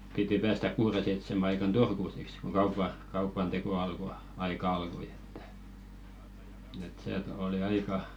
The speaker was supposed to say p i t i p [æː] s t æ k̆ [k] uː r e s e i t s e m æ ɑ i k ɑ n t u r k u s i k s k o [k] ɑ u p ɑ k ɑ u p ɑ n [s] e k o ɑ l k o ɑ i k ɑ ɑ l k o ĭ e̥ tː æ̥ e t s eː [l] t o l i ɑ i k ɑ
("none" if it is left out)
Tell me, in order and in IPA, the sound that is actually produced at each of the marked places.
æː, k, k, t, none

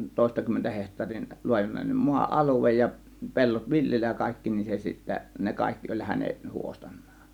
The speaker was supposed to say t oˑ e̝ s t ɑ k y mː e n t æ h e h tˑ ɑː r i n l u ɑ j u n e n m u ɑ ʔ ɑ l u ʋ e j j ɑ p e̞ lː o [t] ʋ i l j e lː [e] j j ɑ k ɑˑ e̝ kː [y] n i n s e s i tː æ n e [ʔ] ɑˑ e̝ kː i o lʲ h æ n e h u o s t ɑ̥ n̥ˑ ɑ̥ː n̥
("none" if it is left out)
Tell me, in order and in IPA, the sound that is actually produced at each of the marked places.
t, æ, i, k

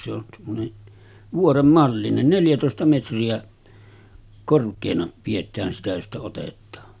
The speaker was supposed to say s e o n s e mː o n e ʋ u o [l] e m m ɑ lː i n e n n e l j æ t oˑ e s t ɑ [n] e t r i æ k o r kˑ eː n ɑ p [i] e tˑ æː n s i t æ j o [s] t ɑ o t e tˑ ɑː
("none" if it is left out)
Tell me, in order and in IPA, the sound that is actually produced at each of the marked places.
r, m, i, s

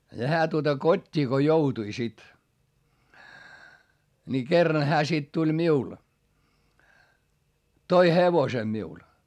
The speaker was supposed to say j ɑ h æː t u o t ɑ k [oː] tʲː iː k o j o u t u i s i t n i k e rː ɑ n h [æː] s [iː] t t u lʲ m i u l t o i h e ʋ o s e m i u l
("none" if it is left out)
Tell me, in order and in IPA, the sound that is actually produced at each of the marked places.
o, æː, i

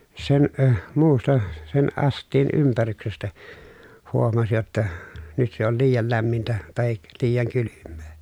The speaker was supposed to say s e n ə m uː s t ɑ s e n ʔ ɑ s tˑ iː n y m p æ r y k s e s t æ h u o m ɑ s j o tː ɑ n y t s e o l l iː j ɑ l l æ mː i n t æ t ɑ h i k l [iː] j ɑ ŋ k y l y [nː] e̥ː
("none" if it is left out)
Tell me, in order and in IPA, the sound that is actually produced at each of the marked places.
iː, mː

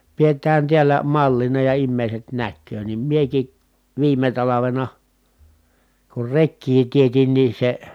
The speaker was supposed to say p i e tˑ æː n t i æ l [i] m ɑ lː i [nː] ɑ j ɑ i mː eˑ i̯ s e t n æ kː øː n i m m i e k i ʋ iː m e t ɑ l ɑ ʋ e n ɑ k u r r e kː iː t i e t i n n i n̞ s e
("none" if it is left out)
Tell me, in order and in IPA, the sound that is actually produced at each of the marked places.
æ, n

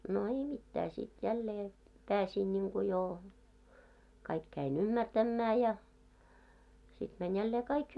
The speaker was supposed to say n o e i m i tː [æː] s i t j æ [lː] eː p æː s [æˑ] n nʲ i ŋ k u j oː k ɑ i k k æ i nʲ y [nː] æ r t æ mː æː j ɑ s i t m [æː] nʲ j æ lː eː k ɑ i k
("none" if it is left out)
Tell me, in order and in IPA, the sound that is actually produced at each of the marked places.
æː, lː, iˑ, mː, æ

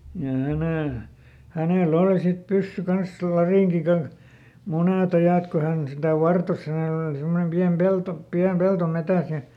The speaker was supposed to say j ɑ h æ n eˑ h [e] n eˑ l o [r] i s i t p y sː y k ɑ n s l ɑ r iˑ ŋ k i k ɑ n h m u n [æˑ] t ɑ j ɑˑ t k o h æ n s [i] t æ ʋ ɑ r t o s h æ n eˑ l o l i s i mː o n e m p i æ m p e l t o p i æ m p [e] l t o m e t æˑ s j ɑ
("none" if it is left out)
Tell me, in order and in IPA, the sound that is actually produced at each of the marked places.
æ, l, eˑ, i, e

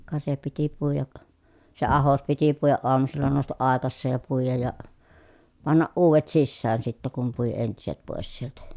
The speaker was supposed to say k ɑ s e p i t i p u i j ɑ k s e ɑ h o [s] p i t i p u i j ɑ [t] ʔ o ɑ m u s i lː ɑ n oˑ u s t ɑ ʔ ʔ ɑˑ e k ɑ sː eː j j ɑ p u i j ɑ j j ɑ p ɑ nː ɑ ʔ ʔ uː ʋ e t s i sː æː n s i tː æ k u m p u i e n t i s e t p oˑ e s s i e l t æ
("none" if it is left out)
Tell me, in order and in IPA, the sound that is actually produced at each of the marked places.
s, ʔ

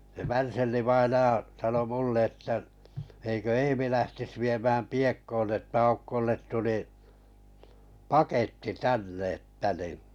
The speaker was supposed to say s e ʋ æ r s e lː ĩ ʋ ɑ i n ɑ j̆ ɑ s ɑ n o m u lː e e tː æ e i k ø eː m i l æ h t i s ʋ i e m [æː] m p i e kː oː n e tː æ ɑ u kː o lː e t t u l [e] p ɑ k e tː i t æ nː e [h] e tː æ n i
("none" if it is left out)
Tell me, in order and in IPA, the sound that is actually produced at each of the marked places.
æː, i, none

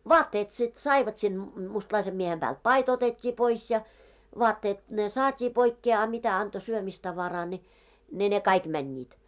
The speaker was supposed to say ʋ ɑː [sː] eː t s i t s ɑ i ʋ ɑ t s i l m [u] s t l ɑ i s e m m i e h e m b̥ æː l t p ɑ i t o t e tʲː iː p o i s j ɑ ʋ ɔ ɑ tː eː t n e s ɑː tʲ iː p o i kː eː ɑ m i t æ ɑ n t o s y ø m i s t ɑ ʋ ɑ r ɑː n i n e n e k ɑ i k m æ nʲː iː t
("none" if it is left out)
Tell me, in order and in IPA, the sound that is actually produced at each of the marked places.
tː, u

